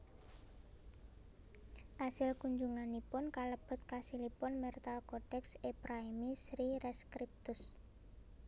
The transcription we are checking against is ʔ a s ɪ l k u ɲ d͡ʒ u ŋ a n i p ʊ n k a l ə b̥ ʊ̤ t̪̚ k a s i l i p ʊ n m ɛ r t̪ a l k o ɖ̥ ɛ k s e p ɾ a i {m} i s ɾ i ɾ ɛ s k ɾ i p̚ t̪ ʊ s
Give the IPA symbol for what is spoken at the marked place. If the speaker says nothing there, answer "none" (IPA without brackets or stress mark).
m